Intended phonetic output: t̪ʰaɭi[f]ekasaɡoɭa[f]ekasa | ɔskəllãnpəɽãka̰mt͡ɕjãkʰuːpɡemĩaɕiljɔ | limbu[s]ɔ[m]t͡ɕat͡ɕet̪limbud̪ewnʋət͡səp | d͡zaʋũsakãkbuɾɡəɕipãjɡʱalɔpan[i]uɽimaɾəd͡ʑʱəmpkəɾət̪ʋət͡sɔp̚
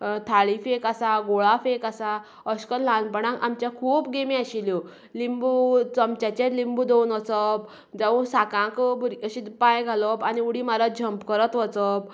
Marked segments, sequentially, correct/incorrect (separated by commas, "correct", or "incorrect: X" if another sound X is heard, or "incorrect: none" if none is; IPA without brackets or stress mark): correct, correct, incorrect: t͡s, correct, correct